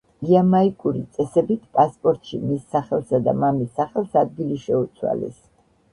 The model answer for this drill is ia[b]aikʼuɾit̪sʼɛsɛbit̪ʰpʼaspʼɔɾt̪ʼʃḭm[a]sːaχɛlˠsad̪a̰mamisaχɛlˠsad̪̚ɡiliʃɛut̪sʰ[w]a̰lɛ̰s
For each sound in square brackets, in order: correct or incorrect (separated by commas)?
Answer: incorrect, incorrect, correct